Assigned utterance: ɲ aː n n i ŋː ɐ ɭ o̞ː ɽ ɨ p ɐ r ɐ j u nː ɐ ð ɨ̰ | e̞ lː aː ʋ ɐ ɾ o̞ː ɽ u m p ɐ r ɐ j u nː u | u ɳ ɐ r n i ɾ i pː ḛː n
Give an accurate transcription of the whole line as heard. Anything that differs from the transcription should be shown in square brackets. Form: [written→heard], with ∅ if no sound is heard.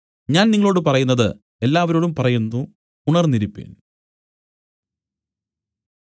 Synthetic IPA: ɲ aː n n i ŋː ɐ ɭ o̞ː ɽ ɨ p ɐ r ɐ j u nː ɐ ð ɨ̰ | e̞ lː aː ʋ ɐ ɾ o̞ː ɽ u m p ɐ r ɐ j u nː u | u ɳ ɐ r n i ɾ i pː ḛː n